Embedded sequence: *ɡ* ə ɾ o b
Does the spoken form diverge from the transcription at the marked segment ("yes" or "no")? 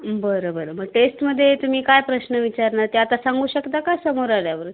yes